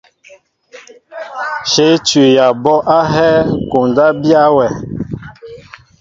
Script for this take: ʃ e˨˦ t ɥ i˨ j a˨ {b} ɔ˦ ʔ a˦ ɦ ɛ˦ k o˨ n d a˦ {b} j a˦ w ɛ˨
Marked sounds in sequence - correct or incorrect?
correct, correct

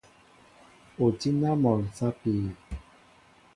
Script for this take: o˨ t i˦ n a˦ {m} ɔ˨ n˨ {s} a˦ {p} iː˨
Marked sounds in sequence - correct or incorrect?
correct, correct, correct

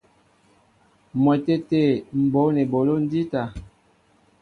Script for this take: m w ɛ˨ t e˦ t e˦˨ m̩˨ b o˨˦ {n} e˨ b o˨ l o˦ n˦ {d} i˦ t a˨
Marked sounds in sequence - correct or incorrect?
correct, correct

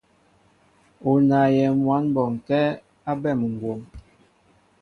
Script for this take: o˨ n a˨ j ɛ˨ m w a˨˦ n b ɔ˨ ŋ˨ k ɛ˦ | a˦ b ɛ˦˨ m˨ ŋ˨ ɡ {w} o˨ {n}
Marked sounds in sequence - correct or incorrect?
correct, incorrect

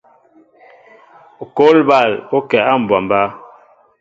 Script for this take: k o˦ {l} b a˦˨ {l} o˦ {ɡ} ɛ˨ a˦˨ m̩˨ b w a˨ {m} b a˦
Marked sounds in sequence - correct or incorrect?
correct, correct, incorrect, correct

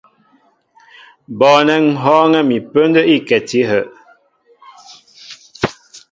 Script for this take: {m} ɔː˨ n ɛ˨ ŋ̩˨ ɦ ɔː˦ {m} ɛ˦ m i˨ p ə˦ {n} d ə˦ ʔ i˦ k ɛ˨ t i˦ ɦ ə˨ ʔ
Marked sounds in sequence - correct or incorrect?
incorrect, incorrect, correct

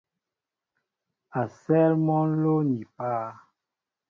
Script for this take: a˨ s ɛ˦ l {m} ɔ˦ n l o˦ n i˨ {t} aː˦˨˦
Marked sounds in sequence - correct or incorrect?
correct, incorrect

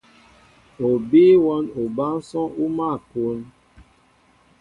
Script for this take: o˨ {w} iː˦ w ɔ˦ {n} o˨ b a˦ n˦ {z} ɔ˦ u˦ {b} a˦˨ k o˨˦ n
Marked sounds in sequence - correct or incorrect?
incorrect, correct, incorrect, incorrect

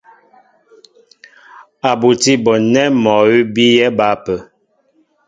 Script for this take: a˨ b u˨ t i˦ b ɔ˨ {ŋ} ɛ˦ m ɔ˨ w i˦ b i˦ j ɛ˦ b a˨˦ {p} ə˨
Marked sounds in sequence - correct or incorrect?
incorrect, correct

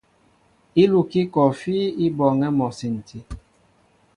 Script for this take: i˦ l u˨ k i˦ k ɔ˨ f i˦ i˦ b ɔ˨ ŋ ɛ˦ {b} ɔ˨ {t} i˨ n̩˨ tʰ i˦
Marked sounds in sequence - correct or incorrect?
incorrect, incorrect

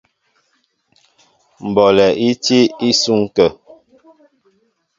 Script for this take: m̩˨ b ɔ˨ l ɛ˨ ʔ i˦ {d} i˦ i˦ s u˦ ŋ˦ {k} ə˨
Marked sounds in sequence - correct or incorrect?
incorrect, correct

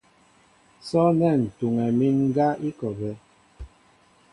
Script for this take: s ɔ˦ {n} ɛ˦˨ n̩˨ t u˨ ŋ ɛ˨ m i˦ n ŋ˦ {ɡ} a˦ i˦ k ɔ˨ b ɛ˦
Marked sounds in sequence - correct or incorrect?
correct, correct

